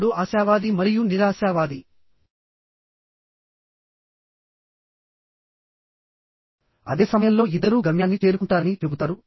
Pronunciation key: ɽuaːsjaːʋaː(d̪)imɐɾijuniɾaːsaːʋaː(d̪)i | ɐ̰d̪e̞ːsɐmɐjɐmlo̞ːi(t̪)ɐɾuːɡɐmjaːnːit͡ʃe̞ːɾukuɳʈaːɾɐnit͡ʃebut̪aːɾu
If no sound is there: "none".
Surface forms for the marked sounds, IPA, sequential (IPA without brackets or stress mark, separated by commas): d̪, d̪, d̪